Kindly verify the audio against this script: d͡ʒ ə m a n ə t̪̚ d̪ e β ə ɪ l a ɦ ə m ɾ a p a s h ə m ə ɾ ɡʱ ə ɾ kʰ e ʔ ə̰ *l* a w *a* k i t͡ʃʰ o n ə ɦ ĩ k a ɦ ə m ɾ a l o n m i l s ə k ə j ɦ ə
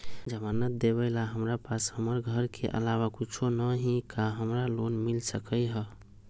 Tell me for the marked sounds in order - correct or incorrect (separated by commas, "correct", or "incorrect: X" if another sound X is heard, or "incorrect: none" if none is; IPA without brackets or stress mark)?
correct, correct